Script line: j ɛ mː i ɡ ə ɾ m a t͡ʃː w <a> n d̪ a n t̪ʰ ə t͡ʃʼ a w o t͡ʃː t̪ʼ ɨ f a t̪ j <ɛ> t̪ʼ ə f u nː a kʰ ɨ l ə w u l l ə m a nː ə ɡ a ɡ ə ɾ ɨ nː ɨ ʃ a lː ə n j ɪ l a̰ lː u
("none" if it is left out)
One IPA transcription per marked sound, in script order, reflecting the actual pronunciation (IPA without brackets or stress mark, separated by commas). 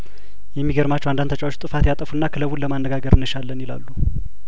a, a